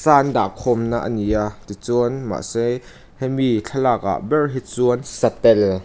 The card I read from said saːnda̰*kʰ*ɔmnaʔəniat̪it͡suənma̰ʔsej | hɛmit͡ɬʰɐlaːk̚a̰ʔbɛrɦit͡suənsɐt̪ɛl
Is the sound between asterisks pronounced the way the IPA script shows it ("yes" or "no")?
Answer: yes